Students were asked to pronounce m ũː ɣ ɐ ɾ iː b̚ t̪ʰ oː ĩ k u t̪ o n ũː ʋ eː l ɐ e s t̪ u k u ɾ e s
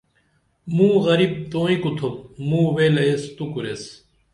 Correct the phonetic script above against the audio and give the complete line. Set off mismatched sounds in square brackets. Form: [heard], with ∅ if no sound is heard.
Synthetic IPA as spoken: m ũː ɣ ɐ ɾ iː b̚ [t̪] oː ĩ k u [t̪ʰ] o [m] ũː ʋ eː l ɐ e s t̪ u k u ɾ e s

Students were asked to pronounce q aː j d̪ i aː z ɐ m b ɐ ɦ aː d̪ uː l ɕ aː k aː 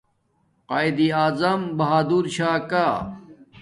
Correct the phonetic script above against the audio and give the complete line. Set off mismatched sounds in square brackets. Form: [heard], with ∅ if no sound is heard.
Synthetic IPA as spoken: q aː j d̪ i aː z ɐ m b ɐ ɦ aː d̪ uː [ɾ] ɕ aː k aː

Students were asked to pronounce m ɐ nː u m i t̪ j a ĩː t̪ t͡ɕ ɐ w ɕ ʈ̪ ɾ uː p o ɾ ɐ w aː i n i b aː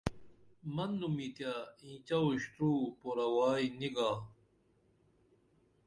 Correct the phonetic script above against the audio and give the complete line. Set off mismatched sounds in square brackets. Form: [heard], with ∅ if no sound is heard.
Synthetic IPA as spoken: m ɐ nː u m i t̪ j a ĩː [∅] t͡ɕ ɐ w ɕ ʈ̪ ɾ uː p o ɾ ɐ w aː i n i [ɡ] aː

